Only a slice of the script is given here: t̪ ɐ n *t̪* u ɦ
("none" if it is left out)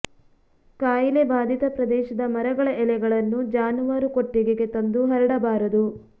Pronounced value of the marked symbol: d̪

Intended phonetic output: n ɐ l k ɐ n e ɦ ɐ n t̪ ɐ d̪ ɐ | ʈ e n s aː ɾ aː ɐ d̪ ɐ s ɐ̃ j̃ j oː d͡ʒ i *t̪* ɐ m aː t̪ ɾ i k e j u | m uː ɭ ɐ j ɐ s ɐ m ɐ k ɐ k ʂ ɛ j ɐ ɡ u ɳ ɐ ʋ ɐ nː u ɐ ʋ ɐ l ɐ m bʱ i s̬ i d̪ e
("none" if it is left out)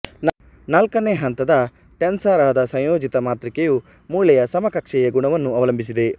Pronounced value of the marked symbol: t̪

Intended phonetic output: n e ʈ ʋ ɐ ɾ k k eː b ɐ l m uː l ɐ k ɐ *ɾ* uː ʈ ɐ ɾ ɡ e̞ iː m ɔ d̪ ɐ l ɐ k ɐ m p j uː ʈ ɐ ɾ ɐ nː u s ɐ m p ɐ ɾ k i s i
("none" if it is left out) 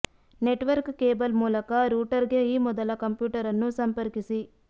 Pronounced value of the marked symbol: ɾ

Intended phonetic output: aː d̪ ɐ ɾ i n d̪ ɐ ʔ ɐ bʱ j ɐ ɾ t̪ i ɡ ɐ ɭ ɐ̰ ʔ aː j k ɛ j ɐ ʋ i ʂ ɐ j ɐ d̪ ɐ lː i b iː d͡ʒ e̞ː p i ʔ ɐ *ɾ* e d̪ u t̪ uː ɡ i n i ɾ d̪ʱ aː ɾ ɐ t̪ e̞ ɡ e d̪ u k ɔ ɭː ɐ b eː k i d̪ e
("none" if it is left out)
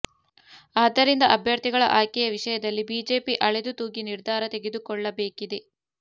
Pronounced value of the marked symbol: ɭ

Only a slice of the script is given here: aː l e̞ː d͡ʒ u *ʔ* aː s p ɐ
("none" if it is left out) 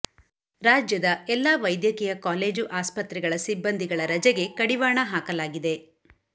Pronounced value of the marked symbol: ʔ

